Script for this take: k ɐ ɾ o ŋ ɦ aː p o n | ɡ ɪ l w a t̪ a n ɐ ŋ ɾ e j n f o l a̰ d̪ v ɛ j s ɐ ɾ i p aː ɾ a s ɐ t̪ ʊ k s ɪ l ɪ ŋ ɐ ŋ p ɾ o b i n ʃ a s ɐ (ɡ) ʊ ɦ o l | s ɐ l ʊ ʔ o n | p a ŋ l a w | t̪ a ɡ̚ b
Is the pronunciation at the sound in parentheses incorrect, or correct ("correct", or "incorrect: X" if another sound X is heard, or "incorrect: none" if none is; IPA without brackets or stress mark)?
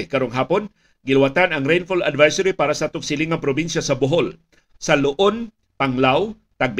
incorrect: b